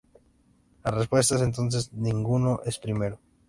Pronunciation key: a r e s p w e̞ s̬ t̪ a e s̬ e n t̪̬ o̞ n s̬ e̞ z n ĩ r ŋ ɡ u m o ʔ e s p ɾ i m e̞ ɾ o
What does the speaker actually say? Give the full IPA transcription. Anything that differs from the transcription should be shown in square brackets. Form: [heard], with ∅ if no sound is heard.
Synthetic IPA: a r e s p w e̞ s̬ t̪ a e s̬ e n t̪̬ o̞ n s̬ e̞ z n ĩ [∅] ŋ ɡ u [n] o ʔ e s p ɾ i m e̞ ɾ o